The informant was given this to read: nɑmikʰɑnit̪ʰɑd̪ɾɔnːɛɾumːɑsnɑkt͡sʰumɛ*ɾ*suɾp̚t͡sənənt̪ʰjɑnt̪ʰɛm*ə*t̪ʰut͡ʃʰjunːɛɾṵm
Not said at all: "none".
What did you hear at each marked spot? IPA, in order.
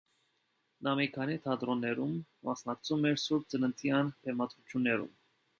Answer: ɾ, ɑ

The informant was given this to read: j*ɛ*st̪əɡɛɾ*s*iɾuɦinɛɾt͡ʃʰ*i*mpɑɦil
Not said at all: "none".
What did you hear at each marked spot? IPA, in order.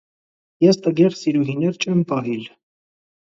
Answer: ɛ, s, ɛ

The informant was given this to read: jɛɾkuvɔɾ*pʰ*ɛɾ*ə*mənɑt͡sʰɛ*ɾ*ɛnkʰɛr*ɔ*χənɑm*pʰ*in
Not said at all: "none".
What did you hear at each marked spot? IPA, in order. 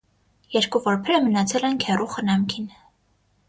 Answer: pʰ, ə, l, u, kʰ

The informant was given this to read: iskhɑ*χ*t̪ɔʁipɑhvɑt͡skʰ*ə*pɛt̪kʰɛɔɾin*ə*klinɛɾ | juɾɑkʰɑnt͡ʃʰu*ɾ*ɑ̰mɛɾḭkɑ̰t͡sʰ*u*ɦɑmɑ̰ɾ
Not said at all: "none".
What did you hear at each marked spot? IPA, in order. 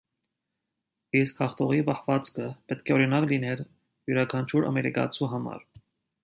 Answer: χ, ə, ɑ, ɾ, u

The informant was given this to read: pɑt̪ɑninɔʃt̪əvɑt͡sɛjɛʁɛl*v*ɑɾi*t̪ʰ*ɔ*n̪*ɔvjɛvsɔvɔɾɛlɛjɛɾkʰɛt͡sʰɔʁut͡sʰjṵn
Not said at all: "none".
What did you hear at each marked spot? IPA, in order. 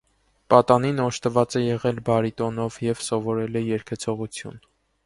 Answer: b, t̪, n̪

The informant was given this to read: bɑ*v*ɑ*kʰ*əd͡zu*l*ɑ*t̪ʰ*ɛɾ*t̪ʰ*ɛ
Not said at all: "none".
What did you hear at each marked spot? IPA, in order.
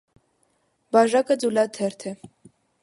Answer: ʒ, k, l, t̪ʰ, t̪ʰ

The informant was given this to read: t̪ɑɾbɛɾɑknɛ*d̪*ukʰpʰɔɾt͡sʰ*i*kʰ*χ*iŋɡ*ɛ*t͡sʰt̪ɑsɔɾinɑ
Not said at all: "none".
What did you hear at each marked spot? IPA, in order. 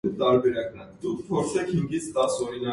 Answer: d̪, ɛ, h, i

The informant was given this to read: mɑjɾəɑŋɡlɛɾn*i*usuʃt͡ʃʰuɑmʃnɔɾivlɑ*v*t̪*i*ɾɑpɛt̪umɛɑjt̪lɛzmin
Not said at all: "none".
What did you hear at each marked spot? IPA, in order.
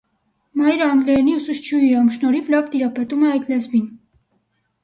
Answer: i, v, i

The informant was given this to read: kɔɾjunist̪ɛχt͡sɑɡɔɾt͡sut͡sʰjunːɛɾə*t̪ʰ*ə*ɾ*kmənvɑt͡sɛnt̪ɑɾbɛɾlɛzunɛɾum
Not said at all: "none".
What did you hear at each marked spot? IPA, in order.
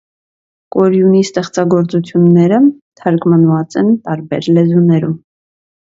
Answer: t̪ʰ, ɾ

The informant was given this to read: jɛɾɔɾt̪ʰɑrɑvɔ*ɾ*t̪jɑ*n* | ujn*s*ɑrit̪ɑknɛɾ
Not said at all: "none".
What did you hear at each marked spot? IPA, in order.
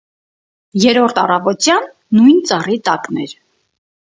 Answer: none, nː, t͡s

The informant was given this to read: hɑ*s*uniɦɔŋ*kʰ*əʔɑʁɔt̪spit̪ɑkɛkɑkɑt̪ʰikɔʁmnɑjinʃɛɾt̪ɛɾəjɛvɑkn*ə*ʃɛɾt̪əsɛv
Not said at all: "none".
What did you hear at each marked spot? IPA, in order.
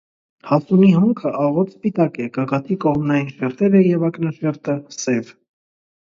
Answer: s, kʰ, ɑ

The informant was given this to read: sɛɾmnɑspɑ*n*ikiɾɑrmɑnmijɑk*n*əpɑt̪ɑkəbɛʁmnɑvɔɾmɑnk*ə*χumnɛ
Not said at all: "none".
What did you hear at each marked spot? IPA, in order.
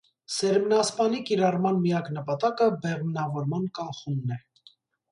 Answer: n, n, ɑ

